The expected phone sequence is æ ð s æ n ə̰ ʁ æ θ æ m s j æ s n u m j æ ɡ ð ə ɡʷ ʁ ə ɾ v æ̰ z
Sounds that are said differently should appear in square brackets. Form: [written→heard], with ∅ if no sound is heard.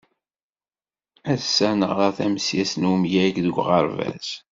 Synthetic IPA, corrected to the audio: æ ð s æ n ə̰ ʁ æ θ æ m s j æ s n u m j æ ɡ ð ə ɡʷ ʁ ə ɾ v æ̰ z